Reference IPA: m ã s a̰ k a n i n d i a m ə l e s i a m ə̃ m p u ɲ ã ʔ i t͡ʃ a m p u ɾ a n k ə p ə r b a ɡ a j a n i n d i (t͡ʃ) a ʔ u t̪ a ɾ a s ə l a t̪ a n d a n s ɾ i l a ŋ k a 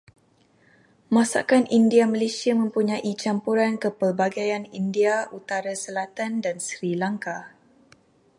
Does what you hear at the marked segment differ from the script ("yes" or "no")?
yes